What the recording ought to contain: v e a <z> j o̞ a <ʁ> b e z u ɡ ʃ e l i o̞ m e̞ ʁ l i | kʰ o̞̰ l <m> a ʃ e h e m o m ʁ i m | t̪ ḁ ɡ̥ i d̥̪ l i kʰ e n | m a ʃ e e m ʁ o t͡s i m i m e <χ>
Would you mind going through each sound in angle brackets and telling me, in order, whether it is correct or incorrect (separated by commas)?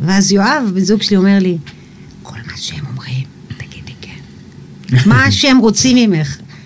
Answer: correct, incorrect, correct, correct